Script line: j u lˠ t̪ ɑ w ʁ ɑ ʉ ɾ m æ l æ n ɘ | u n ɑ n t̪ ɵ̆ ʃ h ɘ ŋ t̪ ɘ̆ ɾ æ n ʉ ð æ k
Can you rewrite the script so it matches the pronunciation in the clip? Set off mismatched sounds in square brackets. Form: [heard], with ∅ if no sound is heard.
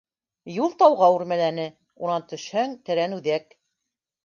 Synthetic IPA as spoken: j u lˠ t̪ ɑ w ʁ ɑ ʉ ɾ m æ l æ n ɘ | u n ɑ n t̪ ɵ̆ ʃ h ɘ ŋ t̪ ɘ̆ ɾ æ n ʉ ð æ k